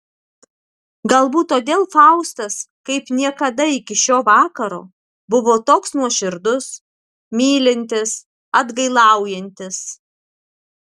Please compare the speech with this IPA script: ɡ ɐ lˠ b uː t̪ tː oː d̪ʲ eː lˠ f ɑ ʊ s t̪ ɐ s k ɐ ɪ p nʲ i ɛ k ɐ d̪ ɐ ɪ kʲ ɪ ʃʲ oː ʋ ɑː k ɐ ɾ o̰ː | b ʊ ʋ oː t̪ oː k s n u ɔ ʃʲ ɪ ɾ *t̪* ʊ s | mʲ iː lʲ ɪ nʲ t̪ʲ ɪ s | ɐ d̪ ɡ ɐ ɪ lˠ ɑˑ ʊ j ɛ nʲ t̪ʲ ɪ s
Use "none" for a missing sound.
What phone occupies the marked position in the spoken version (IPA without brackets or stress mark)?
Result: d̪